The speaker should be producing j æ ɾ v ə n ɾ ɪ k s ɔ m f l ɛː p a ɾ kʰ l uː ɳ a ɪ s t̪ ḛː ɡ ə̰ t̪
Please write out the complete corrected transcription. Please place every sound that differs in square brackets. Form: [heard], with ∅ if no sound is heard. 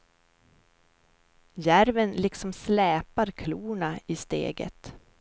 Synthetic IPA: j æ ɾ v ə n [l] ɪ k s ɔ m [s] l ɛː p a ɾ kʰ l uː ɳ a ɪ s t̪ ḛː ɡ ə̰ t̪